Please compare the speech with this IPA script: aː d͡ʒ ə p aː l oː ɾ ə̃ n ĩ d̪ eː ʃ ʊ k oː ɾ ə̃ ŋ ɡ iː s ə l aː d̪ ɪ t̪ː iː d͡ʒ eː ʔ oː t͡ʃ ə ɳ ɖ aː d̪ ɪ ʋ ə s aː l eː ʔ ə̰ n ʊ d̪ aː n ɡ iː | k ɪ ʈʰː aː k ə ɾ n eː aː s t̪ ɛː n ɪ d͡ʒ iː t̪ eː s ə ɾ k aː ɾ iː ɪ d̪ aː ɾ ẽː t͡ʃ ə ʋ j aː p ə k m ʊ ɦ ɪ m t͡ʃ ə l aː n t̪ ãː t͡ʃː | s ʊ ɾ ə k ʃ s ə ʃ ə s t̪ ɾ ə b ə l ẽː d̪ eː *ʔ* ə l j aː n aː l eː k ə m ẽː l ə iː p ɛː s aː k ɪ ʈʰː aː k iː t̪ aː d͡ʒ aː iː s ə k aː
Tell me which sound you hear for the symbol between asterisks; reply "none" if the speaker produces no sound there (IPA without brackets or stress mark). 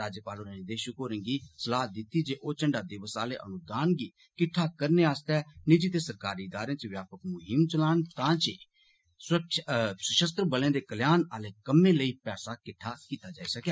k